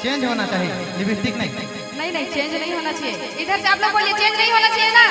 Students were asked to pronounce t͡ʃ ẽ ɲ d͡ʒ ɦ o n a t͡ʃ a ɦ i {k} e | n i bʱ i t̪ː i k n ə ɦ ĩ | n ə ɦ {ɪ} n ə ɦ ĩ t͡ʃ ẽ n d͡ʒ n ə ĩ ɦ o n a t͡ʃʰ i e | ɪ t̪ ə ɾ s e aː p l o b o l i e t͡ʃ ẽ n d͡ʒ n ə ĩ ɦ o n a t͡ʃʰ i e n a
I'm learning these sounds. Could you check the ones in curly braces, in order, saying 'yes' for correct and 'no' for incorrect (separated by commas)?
no, no